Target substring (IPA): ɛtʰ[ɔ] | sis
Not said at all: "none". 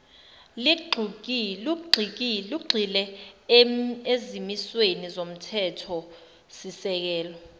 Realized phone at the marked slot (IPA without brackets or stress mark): ɔ